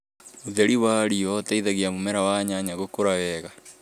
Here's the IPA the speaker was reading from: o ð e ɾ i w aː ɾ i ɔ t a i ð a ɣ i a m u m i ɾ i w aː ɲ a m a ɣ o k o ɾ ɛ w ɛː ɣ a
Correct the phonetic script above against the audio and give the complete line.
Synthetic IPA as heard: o ð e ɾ i w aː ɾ i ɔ t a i ð a ɣ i a m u m ɛ ɾ a w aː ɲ a ɲ a ɣ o k o ɾ a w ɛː ɣ a